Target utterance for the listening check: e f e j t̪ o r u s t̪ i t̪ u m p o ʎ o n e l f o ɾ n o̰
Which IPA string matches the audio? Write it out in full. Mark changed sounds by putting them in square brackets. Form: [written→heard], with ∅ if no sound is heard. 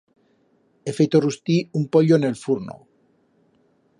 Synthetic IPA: e f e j t̪ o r u s t̪ i [t̪→∅] u m p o ʎ o n e l f [o→u] ɾ n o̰